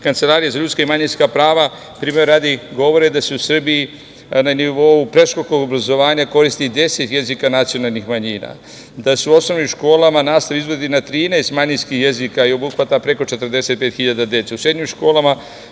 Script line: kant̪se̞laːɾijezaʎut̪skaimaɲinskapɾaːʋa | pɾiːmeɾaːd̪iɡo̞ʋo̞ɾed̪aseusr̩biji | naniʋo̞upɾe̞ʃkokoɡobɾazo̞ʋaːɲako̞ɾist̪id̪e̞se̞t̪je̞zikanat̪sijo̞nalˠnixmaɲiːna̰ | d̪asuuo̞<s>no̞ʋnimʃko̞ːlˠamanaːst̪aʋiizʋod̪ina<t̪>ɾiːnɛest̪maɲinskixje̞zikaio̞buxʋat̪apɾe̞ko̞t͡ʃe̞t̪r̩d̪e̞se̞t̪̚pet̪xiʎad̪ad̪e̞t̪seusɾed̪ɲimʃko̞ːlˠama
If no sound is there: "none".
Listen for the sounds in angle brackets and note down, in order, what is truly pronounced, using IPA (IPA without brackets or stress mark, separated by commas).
s, t̪